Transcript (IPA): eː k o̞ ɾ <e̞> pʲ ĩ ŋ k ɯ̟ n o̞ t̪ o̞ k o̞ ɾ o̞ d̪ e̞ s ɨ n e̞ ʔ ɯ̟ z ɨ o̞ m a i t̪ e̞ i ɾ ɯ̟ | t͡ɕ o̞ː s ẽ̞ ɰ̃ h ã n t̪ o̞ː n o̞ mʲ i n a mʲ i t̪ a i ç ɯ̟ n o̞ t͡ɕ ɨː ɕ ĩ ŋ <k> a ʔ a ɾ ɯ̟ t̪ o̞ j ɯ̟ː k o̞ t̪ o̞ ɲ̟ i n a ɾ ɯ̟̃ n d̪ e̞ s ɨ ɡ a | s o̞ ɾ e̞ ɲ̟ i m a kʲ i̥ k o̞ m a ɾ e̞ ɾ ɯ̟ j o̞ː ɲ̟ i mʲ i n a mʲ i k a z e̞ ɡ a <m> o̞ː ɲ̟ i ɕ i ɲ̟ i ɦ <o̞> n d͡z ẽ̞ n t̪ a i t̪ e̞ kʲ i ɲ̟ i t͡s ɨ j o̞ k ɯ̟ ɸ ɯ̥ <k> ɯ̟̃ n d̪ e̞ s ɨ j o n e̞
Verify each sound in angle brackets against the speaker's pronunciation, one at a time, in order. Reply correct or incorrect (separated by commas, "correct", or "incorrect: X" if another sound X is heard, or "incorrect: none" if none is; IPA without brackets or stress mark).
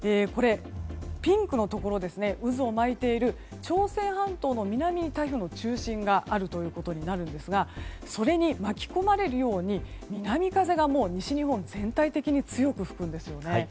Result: correct, incorrect: ɡ, correct, incorrect: õ̞, correct